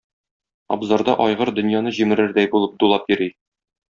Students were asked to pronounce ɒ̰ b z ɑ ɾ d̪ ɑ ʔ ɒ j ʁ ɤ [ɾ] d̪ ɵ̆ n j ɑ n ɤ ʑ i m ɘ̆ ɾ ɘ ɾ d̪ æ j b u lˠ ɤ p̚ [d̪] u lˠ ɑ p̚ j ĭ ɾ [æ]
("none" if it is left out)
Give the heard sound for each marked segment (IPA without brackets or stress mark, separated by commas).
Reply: ɾ, d̪, i